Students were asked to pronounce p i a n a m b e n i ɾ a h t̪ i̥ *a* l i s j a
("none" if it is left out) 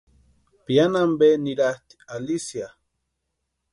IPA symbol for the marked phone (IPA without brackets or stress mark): a